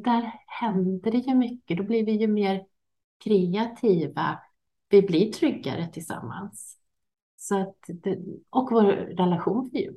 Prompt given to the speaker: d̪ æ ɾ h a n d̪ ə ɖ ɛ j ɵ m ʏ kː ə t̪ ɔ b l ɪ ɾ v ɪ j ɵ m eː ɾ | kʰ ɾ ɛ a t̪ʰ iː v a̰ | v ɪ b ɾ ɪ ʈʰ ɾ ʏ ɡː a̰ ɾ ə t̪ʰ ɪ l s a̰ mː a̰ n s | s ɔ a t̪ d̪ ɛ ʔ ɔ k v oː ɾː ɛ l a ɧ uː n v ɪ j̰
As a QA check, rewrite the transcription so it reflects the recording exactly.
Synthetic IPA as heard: d̪ æ ɾ h ɛ n d̪ ə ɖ ɛ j ɵ m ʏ kː ə d̪ ɔ b l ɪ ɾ v ɪ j ɵ m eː ɾ | kʰ ɾ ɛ a t̪ʰ iː v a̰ | v ɪ b l ɪ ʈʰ ɾ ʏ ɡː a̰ ɾ ə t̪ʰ ɪ l s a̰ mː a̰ n s | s ɔ a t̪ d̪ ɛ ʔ ɔ k v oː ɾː ɛ l a ɧ uː n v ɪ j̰